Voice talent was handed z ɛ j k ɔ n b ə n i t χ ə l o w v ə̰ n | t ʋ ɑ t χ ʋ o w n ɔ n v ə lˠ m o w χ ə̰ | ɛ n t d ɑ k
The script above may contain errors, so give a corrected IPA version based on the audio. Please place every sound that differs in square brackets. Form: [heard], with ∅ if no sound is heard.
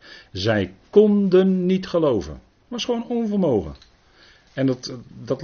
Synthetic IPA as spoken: z ɛ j k ɔ n [d] ə [nː] i t χ ə l o w v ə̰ n | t ʋ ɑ [s] χ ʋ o w n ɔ n v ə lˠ m o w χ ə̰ | ɛ n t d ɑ [t]